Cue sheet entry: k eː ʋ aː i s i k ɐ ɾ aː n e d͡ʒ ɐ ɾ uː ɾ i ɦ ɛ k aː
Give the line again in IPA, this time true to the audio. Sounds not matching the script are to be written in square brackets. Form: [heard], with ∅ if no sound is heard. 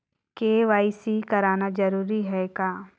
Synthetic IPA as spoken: k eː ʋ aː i s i k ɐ ɾ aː n [a] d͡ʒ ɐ ɾ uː ɾ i ɦ ɛ k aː